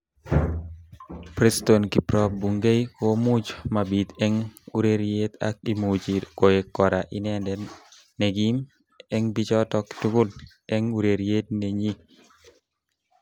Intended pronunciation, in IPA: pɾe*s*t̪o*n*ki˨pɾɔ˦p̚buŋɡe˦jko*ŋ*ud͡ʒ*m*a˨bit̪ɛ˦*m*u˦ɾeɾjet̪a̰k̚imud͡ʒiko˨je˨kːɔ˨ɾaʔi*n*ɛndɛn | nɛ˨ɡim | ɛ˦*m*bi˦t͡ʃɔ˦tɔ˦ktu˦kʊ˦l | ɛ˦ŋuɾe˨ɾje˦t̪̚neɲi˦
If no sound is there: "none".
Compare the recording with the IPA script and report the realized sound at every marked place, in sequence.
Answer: s, n, m, m, ŋ, n, ŋ

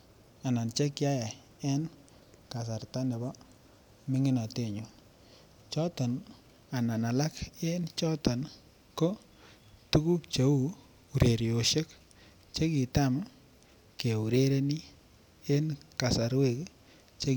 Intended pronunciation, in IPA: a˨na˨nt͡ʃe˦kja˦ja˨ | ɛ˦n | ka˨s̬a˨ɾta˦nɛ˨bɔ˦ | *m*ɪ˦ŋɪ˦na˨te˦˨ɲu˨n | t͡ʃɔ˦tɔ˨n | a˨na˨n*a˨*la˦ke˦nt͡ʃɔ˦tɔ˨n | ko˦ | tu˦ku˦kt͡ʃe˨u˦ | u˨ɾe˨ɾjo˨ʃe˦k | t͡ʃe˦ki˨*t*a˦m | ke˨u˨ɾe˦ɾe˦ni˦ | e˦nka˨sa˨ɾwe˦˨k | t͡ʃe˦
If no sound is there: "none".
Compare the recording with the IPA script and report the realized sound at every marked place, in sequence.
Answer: m, a˨, t

